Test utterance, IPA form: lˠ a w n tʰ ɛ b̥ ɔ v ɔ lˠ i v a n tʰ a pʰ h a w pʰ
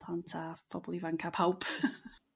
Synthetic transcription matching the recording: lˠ a n tʰ a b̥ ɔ b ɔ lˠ i v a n kʰ a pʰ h a w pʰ